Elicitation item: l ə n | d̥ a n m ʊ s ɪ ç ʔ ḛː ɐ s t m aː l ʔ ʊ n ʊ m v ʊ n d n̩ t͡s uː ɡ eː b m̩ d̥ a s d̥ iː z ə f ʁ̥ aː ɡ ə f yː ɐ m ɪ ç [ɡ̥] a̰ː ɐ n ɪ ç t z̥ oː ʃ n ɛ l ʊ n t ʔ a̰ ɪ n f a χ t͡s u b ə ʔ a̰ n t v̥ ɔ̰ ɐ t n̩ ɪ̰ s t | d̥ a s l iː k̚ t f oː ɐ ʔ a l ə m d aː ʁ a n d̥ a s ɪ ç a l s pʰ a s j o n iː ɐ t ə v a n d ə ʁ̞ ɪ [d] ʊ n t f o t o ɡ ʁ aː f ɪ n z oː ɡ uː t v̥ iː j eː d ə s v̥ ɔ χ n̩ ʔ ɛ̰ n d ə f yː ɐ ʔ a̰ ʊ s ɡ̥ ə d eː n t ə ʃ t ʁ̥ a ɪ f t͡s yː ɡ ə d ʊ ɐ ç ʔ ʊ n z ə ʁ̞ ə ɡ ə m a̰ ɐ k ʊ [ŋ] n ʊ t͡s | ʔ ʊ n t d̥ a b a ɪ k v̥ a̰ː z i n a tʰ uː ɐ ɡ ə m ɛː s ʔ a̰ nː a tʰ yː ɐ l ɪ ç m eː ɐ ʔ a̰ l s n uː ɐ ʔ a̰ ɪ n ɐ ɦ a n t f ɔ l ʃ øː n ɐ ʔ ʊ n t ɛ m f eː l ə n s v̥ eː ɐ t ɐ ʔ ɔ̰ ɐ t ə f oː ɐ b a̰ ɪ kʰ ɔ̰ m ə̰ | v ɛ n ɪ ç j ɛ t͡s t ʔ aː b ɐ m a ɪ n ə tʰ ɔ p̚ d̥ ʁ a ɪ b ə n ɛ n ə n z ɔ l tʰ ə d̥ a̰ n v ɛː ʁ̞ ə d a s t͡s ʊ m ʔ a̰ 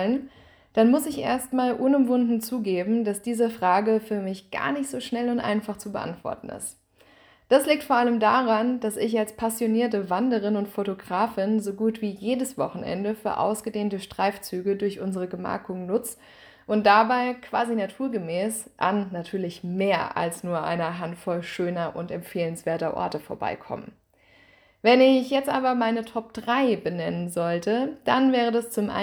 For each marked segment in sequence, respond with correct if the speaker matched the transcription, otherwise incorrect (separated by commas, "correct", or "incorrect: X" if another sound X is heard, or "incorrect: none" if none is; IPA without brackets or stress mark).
correct, incorrect: n, correct